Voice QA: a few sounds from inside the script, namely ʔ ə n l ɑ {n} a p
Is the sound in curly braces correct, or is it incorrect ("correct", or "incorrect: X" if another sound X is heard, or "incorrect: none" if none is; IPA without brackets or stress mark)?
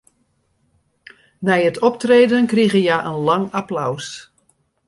incorrect: ŋ